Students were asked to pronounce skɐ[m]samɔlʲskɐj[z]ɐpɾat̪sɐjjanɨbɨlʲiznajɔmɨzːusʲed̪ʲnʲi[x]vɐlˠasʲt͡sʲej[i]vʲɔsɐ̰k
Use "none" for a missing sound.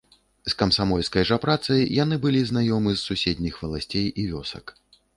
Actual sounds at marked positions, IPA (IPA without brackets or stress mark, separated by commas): m, ʐ, x, i